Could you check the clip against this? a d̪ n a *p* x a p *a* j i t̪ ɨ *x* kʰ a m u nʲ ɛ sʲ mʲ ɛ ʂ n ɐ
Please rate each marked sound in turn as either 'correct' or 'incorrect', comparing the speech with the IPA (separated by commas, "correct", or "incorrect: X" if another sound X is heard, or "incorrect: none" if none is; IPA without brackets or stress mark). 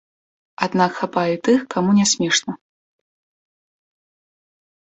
incorrect: k, correct, correct